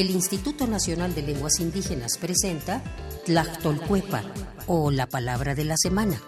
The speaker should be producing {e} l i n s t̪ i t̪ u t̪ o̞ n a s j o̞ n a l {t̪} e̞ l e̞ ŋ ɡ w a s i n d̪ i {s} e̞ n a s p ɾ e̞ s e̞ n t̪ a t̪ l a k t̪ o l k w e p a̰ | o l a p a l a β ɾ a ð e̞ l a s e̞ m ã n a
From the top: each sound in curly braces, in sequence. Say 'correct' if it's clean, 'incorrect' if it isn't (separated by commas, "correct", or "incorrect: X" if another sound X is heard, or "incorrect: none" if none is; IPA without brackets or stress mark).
correct, incorrect: d̪, incorrect: x